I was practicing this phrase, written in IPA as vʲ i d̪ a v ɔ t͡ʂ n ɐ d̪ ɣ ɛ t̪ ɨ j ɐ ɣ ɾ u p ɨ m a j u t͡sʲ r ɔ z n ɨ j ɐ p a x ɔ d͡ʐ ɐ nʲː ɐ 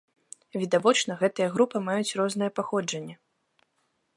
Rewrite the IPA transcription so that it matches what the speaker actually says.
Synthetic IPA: vʲ i d̪ a v ɔ t͡ʂ n ɐ ɣ ɛ t̪ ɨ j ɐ ɣ ɾ u p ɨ m a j u t͡sʲ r ɔ z n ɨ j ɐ p a x ɔ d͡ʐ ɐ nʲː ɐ